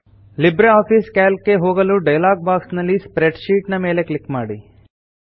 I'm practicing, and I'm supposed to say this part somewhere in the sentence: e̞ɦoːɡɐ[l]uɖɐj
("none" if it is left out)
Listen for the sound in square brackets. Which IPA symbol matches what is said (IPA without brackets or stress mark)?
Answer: l